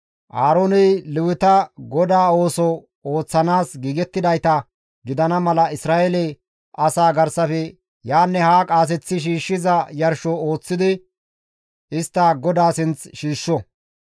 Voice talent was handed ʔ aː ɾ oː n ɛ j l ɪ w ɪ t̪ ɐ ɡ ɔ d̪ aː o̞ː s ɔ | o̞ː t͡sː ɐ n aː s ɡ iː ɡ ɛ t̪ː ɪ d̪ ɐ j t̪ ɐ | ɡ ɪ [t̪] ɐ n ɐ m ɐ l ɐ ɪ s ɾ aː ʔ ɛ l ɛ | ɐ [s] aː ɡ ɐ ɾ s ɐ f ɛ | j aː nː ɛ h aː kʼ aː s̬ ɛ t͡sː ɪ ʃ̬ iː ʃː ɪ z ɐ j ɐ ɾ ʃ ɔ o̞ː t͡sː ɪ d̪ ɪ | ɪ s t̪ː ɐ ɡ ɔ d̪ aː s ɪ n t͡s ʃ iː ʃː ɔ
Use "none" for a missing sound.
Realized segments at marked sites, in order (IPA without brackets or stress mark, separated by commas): d̪, s